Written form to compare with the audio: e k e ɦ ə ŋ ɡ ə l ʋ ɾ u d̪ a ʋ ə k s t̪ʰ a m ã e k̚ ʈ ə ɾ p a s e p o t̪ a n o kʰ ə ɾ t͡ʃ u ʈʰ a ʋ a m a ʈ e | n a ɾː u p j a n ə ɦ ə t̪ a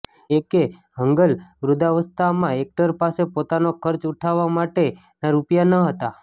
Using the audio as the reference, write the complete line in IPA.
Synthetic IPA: e k e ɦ ə ŋ ɡ ə l ʋ ɾ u d̪ a ʋ ə s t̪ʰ a m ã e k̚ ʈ ə ɾ p a s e p o t̪ a n o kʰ ə ɾ t͡ʃ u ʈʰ a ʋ a m a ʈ e | n a ɾ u p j a n ə ɦ ə t̪ a